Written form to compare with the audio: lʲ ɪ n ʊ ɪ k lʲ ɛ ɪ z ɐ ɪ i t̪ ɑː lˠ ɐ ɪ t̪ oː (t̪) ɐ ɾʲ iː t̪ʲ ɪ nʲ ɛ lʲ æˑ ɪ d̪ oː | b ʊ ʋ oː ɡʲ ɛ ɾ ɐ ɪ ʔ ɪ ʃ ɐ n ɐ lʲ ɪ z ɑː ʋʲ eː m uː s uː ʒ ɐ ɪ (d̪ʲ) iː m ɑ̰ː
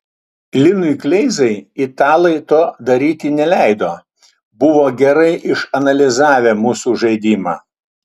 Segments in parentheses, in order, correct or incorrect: incorrect: d̪, correct

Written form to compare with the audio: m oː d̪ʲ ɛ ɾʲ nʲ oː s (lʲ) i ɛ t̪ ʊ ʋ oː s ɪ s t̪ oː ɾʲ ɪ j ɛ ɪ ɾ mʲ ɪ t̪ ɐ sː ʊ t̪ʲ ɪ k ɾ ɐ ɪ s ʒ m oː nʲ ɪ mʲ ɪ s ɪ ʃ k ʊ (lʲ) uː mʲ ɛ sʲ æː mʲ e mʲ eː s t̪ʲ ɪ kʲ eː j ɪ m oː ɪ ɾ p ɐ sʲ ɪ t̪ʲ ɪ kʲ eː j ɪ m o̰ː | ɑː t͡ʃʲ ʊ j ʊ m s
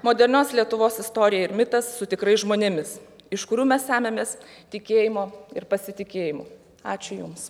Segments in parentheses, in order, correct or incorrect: correct, incorrect: ɾʲ

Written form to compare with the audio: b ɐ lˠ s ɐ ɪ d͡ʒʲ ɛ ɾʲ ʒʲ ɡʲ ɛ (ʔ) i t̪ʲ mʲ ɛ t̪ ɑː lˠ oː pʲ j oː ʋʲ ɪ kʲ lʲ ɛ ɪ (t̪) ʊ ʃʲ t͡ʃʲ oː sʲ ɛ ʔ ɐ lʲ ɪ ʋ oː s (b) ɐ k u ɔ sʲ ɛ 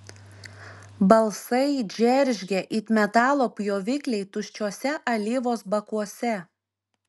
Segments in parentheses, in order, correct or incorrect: correct, correct, correct

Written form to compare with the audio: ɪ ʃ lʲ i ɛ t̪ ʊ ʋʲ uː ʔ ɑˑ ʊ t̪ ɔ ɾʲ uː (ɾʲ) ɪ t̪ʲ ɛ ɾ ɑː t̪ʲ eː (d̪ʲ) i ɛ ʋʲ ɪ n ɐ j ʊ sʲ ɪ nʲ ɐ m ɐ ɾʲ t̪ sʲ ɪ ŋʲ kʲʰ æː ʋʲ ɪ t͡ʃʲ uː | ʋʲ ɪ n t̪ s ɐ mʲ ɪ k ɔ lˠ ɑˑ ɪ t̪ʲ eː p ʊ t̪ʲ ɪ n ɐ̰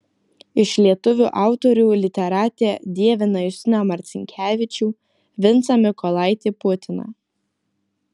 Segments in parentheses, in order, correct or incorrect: incorrect: lʲ, correct

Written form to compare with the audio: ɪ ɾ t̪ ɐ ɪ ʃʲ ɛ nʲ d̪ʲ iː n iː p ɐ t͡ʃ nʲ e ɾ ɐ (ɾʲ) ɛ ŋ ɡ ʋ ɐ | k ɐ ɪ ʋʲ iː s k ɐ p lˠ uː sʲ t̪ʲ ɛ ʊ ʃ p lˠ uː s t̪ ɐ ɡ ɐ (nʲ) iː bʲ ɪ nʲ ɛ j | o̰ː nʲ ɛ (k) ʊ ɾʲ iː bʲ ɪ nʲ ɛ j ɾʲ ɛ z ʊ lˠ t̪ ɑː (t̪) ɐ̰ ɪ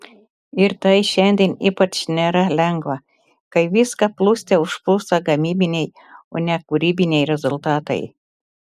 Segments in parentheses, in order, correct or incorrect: incorrect: lʲ, incorrect: mʲ, correct, correct

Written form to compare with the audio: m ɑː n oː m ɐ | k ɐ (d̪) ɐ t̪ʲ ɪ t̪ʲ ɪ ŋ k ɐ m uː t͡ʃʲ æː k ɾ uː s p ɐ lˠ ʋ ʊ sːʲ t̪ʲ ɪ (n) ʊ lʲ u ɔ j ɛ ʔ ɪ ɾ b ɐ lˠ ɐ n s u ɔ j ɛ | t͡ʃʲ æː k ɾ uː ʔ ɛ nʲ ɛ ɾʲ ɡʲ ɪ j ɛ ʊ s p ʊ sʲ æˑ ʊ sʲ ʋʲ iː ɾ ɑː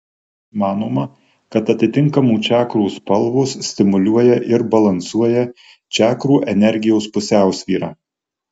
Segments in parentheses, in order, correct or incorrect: incorrect: t̪, incorrect: m

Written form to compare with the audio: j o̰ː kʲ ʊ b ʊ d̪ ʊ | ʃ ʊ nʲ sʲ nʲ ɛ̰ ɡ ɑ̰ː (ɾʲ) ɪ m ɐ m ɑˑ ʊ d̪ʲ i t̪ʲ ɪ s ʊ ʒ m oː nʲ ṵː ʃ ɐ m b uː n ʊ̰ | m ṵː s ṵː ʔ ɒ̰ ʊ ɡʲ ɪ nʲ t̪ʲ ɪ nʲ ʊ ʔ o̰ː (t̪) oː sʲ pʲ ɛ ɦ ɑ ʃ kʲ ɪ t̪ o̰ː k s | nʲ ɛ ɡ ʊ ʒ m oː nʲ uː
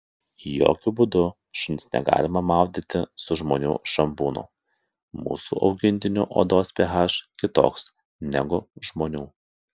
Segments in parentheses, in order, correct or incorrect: incorrect: lʲ, incorrect: d̪

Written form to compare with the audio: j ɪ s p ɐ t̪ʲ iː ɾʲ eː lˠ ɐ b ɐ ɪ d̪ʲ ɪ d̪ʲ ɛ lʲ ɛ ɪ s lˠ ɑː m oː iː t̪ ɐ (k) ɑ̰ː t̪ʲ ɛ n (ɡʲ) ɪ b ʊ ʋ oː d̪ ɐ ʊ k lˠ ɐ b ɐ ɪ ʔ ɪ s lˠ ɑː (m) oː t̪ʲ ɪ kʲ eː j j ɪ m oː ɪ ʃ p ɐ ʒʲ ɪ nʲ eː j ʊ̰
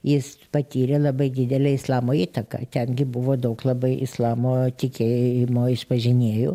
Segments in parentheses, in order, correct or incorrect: correct, correct, correct

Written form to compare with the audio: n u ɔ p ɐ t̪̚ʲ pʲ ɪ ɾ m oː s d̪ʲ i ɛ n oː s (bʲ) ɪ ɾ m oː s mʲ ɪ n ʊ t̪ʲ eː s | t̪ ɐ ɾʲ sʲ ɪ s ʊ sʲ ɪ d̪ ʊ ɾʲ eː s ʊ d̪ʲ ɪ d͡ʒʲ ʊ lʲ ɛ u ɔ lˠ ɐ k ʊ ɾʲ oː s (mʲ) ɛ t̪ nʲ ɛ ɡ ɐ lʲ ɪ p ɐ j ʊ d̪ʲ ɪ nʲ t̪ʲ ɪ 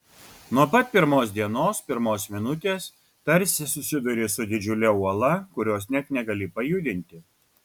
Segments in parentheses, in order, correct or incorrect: incorrect: pʲ, incorrect: nʲ

